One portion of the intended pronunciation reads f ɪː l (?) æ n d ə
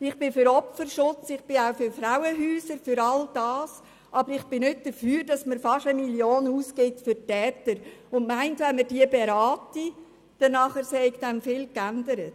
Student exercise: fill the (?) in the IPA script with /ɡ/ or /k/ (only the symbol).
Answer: k